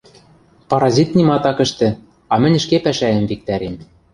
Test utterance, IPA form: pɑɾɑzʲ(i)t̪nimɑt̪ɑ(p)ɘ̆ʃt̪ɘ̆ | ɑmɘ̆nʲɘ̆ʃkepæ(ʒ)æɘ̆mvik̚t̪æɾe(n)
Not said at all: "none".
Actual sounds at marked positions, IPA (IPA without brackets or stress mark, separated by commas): i, k, ʃ, m